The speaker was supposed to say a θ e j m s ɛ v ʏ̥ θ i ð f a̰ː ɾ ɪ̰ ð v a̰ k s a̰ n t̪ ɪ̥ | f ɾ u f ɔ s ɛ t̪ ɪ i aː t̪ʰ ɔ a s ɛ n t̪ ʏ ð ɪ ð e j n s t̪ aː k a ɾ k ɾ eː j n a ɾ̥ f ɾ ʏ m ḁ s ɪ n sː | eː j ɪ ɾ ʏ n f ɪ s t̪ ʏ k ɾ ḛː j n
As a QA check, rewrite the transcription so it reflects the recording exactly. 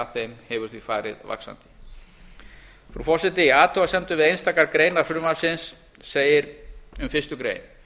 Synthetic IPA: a θ e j m h ɛ v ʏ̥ θ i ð f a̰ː ɾ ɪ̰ ð v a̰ k s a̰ n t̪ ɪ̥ | f ɾ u f ɔ s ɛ t̪ ɪ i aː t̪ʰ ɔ a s ɛ n t̪ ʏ v ɪ ð e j n s t̪ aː k a ɾ k ɾ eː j n a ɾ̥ f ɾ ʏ m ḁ s ɪ n sː | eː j ɪ ɾ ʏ m f ɪ s t̪ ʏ k ɾ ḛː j n